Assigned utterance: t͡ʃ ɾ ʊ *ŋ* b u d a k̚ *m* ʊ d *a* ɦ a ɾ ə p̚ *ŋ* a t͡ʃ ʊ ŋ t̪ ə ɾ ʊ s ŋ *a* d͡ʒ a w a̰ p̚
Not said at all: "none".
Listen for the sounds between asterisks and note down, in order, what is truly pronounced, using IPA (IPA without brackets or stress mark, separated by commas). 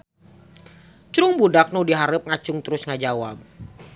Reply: ŋ, n, i, ŋ, a